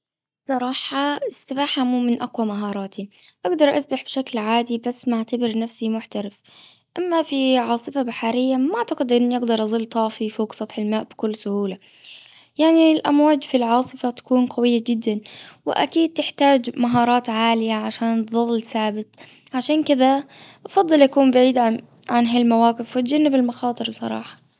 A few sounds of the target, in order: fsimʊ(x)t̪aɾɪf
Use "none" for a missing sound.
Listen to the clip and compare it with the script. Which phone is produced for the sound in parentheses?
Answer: ħ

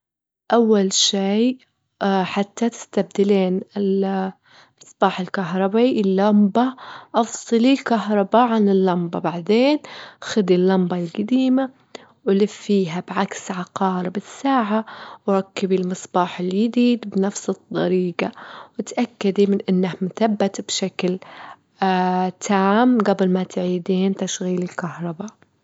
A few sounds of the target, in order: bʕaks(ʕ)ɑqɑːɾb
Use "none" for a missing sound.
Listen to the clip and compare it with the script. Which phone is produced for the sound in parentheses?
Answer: ʕ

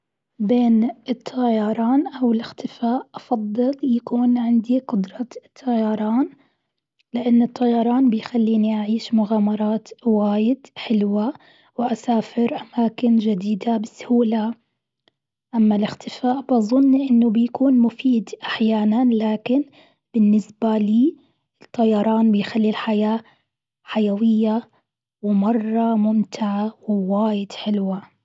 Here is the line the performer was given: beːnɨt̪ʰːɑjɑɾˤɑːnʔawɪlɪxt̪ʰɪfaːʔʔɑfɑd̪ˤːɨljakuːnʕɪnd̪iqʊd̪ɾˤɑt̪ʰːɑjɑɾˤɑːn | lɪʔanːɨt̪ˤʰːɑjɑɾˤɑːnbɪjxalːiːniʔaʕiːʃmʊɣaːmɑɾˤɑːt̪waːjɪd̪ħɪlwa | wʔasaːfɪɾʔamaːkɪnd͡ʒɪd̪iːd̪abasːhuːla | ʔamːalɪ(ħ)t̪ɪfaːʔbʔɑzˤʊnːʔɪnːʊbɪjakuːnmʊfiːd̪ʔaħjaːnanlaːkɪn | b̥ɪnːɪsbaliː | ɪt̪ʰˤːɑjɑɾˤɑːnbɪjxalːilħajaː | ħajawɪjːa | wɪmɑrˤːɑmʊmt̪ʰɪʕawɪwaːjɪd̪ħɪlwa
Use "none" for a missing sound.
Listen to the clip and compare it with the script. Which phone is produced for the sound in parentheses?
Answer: x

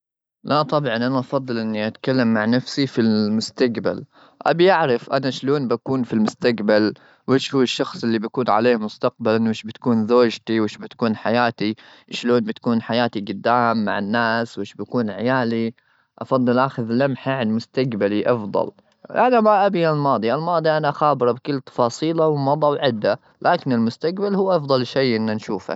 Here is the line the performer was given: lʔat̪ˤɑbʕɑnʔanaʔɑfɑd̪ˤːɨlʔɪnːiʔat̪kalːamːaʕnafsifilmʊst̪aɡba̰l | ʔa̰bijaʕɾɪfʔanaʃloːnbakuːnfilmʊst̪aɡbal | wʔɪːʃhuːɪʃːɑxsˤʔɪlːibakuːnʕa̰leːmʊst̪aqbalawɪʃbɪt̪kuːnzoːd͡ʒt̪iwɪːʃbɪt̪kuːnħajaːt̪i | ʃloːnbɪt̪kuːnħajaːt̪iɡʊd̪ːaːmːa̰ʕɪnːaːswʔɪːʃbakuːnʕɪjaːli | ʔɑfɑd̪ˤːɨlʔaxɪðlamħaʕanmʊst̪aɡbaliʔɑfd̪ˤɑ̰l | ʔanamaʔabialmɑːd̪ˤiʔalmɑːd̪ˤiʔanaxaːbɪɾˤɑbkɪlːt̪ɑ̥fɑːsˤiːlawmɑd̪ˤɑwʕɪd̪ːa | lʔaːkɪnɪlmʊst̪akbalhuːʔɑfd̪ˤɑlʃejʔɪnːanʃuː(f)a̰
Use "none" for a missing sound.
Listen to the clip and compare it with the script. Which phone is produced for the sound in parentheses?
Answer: f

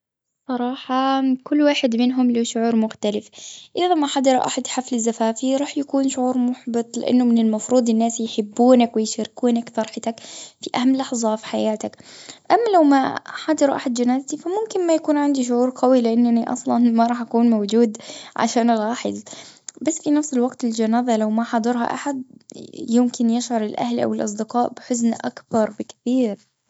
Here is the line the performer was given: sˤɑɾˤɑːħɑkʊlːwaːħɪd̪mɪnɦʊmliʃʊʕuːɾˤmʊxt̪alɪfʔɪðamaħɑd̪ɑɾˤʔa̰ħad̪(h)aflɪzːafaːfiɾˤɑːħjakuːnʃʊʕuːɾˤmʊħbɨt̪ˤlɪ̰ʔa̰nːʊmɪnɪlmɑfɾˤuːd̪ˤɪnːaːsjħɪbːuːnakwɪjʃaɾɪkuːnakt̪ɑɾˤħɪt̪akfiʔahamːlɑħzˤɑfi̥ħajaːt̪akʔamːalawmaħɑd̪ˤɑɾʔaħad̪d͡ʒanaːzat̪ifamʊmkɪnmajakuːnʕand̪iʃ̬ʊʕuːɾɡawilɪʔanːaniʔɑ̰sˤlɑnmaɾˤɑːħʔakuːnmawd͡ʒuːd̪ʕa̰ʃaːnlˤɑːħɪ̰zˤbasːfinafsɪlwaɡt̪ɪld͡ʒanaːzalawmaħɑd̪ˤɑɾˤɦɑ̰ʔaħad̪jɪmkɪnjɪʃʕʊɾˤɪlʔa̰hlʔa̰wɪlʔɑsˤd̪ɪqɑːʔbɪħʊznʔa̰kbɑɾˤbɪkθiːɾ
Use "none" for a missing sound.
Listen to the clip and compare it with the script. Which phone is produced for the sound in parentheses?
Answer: ħ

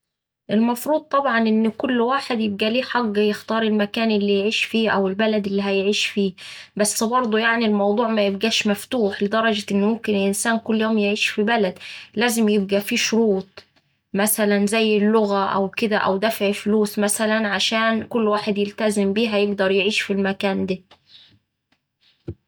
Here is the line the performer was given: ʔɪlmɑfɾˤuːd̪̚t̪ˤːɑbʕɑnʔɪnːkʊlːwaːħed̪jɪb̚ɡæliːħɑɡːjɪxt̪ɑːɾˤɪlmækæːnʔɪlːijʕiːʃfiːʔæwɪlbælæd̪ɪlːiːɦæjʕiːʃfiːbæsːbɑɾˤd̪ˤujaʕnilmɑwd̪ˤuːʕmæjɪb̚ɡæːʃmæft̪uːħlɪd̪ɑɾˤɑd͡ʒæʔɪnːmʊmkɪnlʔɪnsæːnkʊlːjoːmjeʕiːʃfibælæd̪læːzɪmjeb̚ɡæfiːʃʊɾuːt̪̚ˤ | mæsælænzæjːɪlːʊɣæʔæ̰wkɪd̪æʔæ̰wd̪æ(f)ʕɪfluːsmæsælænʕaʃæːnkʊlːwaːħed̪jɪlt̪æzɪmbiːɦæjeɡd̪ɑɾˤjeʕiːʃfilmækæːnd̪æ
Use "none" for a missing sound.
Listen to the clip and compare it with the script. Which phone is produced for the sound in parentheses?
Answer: f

